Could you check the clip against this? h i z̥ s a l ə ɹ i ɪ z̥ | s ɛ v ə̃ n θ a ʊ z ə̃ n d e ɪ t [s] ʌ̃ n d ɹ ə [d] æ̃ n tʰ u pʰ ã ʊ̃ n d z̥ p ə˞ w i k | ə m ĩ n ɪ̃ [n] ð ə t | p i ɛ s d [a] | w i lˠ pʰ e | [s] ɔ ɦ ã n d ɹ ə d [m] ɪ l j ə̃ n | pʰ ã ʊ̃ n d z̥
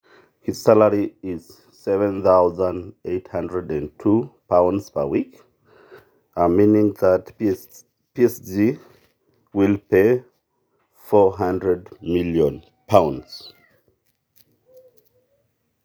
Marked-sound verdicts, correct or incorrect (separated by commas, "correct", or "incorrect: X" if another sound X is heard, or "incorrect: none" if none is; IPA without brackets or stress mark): incorrect: h, correct, incorrect: ŋ, incorrect: i, incorrect: f, correct